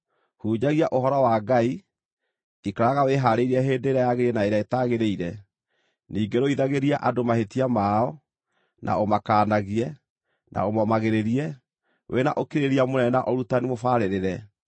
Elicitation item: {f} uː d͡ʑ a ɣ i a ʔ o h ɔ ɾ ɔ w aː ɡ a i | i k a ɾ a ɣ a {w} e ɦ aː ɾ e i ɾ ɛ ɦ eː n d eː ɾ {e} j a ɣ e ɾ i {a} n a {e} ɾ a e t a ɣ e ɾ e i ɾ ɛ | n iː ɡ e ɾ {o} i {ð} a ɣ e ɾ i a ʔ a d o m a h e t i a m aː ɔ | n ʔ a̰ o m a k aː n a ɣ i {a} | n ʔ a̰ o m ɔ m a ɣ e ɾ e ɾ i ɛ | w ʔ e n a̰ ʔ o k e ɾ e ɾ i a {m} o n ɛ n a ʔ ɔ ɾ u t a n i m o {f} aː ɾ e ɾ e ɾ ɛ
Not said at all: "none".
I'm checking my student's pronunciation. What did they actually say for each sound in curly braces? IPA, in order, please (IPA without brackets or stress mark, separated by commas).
h, w, a, ɛ, e, o, ð, ɛ, m, f